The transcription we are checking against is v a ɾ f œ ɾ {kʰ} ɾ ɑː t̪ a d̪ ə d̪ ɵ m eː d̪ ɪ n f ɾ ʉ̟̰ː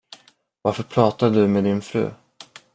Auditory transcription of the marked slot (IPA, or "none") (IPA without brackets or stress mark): pʰ